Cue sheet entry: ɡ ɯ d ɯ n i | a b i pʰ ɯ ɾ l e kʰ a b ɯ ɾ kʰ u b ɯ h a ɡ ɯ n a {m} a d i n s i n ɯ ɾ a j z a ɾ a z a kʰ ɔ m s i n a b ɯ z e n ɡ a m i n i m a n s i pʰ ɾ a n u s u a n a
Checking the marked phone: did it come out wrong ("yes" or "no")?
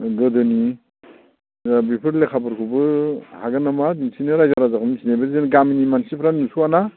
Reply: no